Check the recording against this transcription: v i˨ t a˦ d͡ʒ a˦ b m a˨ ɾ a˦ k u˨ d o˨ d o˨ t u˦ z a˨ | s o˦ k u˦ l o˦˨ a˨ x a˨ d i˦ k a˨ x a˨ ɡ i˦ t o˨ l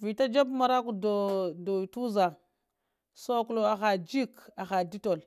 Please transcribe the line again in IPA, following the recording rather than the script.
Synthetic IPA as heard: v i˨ t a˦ d͡ʒ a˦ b m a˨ ɾ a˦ k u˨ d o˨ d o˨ t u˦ z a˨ | s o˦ k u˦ l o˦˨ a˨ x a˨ d͡ʒ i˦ k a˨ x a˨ d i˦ t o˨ l